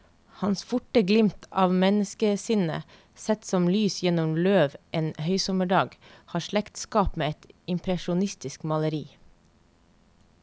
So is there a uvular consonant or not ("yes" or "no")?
no